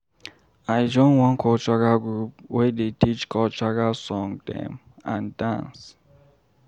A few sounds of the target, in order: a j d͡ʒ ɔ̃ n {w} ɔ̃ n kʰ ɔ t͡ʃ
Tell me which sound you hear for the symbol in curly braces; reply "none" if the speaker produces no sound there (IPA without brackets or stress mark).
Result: w